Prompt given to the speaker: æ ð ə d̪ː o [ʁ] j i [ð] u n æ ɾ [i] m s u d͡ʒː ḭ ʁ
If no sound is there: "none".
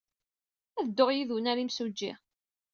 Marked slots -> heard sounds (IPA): ʁ, ð, i

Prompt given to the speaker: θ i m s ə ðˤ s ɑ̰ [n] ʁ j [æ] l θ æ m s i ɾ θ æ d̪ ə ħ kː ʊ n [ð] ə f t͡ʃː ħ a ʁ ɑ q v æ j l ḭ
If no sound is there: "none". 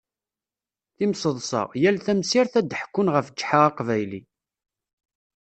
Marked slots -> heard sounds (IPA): none, æ, ʁ

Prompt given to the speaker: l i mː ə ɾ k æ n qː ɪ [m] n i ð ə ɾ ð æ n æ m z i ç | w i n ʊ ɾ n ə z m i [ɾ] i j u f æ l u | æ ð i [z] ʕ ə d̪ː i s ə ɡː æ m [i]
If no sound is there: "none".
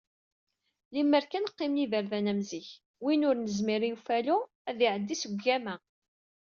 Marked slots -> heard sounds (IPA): m, ɾ, none, æ

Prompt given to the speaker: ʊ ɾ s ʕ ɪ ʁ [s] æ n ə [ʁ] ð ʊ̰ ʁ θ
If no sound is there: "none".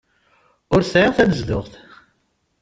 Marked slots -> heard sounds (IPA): θ, z

